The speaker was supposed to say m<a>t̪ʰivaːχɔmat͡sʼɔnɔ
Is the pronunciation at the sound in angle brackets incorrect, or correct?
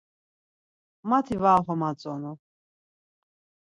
correct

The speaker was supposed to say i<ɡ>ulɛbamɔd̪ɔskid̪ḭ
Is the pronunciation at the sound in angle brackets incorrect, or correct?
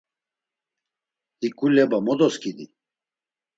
incorrect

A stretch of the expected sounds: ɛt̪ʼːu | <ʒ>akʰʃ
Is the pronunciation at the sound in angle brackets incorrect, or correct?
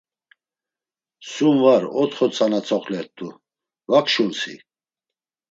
incorrect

